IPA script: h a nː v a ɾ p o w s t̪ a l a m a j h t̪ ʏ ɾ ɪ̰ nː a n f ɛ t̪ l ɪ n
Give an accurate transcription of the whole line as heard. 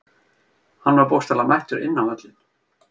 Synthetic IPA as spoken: h a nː v a ɾ p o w s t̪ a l a m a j h t̪ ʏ ɾ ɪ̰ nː a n v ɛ t̪ l ɪ n